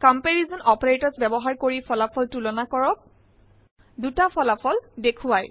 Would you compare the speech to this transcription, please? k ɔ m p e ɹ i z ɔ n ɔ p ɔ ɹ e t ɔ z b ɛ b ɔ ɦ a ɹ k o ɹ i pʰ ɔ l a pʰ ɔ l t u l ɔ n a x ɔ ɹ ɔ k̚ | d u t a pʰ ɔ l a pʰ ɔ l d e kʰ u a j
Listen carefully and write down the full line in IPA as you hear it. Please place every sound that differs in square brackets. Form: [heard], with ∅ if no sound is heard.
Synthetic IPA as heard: k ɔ m p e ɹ i z ɔ n ɔ p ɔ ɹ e t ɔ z b ɛ b ɔ ɦ a ɹ k o ɹ i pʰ ɔ l a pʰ ɔ l t u l ɔ n a [k] ɔ ɹ ɔ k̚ | d u t a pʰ ɔ l a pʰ ɔ l d e kʰ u a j